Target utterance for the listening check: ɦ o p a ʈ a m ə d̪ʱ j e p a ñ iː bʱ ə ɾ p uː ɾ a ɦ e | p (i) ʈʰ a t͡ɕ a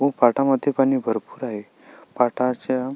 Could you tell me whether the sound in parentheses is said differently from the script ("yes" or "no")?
yes